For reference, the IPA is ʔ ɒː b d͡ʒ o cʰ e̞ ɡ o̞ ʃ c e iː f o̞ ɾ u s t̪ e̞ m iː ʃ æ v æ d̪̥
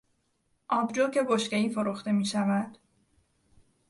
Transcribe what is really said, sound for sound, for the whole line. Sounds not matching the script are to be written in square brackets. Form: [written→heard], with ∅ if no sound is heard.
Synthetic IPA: ʔ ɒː b d͡ʒ o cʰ e̞ ɡ o̞ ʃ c e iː f o̞ ɾ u [s→x] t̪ e̞ m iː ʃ æ v æ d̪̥

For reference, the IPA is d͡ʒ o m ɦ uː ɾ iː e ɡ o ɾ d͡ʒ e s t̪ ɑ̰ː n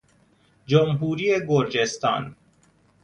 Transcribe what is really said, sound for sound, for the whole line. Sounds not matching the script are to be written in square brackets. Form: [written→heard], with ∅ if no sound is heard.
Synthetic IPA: d͡ʒ o m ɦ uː ɾ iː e ɡ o ɾ d͡ʒ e s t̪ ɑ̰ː n

